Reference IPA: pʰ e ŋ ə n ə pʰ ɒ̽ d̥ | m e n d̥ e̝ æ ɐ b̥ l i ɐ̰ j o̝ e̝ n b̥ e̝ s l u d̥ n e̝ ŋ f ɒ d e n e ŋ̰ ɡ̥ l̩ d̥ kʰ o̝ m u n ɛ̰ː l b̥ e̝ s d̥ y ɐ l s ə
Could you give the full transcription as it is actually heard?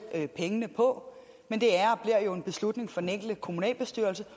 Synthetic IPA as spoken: pʰ e ŋ ə n ə pʰ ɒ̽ | m e n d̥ e̝ æ ɐ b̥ l i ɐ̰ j o̝ e̝ n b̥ e̝ s l u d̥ n e̝ ŋ f ɒ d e n e ŋ̰ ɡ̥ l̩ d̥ kʰ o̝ m u n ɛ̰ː l b̥ e̝ s d̥ y ɐ l s ə